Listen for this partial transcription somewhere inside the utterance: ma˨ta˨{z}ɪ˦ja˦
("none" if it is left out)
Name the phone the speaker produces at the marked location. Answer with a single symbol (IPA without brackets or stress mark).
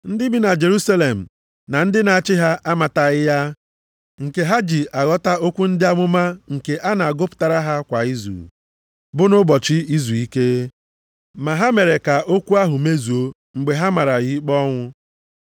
ɣ